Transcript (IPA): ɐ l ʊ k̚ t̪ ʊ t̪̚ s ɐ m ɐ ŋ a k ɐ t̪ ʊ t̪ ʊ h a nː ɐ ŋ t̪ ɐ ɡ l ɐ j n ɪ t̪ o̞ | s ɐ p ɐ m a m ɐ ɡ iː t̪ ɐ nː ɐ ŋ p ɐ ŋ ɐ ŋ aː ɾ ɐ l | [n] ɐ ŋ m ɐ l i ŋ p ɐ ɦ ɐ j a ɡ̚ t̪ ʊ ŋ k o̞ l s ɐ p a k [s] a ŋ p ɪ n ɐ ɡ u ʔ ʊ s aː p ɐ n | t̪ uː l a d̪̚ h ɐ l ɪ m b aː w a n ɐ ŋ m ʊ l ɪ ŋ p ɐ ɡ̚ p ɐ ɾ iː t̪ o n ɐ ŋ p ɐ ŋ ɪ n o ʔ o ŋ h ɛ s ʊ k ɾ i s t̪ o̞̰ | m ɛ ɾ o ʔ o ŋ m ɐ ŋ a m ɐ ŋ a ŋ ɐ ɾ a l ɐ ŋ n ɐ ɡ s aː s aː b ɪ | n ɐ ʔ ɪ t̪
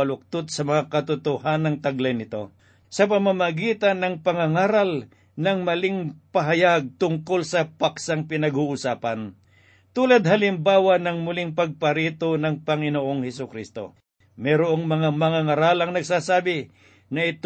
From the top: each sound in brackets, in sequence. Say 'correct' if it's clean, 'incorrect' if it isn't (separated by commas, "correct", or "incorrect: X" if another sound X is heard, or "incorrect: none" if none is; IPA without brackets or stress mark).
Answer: correct, correct